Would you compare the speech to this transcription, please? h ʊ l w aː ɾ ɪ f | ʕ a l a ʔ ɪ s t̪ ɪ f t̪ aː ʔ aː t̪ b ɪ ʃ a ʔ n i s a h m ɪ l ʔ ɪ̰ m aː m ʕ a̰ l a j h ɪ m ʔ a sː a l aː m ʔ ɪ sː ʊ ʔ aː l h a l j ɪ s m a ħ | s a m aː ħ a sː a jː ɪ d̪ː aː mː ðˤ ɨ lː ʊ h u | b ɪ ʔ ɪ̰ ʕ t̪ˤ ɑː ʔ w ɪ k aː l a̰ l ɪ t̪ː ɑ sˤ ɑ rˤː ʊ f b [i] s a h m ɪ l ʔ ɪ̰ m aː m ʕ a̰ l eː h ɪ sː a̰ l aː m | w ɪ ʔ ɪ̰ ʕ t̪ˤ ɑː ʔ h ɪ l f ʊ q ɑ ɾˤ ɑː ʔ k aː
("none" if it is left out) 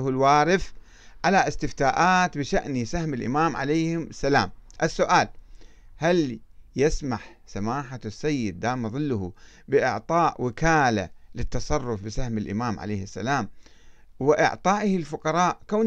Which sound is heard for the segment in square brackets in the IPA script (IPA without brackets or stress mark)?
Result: ɪ